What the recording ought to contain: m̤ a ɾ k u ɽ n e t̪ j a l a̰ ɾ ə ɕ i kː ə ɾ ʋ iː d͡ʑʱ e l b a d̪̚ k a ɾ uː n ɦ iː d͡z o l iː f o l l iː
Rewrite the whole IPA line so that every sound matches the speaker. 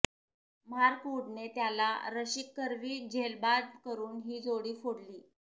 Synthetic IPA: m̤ a ɾ k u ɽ n e t̪ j a l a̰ ɾ ə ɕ i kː ə ɾ ʋ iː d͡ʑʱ e l b a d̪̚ k ə ɾ uː n ɦ iː d͡z o ɽ iː f o ɽ l iː